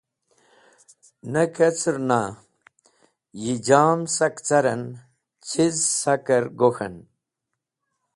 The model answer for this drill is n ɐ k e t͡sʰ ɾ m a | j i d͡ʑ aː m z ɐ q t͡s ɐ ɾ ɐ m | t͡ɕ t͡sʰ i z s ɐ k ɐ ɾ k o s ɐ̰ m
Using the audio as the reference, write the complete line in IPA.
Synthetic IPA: n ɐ k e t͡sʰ ɾ n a | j i d͡ʑ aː m s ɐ k t͡s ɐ ɾ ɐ n | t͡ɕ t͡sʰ i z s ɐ k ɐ ɾ ɡ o x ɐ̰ n